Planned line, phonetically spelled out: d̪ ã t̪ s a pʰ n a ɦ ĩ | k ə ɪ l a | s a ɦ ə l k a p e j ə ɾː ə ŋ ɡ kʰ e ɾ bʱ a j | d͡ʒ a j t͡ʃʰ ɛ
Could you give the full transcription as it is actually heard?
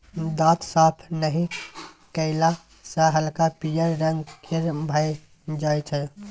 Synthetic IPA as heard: d̪ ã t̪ s a pʰ n ə ɦ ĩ | k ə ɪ l a | s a ɦ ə l k a p i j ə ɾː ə ŋ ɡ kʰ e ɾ bʱ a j | d͡ʒ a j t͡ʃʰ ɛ